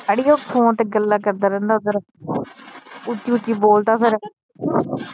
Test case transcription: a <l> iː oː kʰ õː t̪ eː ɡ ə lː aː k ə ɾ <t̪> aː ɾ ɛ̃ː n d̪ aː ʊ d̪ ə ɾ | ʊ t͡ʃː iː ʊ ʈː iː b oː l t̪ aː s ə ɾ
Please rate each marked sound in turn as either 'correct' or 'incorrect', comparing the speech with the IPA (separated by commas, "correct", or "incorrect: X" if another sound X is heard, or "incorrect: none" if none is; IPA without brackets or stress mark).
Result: incorrect: ɽ, incorrect: d̪